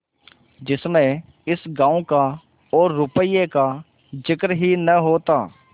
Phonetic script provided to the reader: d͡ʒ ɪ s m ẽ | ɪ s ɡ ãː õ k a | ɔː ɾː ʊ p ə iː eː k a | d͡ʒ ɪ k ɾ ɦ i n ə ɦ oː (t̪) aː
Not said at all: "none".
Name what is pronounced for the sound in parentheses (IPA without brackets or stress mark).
t̪